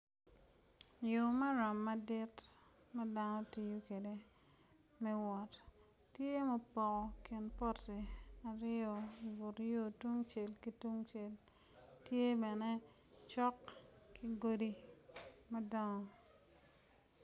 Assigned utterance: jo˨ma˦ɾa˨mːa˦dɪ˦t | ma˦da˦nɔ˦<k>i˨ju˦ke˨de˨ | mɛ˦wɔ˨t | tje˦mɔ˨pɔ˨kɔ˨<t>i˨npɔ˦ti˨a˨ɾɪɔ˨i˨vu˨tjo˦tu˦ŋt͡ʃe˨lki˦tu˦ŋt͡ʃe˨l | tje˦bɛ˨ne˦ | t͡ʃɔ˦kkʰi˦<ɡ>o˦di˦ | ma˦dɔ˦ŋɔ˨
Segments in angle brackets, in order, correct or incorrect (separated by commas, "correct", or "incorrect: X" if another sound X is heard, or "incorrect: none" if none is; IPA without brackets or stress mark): incorrect: t, incorrect: k, correct